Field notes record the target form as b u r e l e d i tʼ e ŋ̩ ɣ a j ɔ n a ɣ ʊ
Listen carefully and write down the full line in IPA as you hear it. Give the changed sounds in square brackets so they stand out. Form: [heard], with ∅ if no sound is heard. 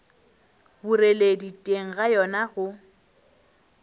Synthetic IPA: b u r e l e d i tʼ e ŋ̩ ɣ a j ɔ n a ɣ ʊ